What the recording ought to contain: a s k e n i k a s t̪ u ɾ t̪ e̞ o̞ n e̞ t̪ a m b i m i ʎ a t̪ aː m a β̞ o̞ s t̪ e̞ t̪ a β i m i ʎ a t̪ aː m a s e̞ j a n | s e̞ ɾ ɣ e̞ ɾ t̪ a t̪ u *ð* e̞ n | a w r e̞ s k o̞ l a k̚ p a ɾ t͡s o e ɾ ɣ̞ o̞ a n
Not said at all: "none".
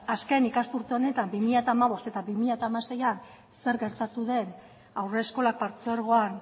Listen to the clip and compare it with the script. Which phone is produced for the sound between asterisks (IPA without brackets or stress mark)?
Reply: ð